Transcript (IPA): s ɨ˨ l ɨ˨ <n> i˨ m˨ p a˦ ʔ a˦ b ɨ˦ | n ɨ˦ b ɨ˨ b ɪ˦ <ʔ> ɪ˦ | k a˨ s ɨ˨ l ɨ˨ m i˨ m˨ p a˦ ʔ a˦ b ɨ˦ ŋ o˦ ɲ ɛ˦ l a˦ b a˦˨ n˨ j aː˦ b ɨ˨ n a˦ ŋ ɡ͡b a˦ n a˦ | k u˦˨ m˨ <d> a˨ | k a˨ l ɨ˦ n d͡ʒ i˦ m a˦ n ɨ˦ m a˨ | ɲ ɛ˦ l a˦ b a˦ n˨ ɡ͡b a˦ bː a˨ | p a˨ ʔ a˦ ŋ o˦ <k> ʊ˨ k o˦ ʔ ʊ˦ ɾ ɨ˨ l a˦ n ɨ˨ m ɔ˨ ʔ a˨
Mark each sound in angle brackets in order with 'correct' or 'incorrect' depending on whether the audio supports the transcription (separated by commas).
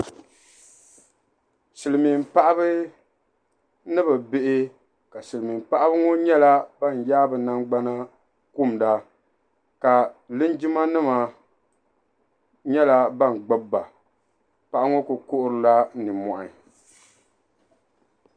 incorrect, correct, correct, correct